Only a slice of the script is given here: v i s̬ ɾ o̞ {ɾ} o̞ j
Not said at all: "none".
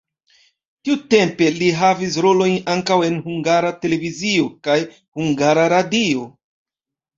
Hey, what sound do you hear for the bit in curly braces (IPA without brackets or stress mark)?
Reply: l